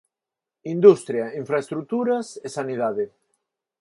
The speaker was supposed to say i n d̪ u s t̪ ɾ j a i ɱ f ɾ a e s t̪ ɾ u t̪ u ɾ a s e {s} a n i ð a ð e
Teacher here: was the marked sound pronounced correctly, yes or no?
yes